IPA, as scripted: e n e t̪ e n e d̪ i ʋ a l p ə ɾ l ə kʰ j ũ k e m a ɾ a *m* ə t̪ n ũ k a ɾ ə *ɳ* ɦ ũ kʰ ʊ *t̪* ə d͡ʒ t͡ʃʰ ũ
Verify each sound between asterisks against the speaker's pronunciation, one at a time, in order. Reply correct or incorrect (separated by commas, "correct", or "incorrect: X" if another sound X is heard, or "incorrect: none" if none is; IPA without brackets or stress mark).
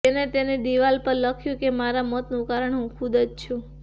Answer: correct, correct, incorrect: d̪